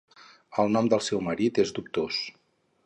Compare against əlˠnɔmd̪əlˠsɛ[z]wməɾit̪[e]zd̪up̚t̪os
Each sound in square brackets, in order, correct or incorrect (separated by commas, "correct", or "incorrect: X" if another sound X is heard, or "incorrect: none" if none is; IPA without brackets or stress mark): incorrect: none, correct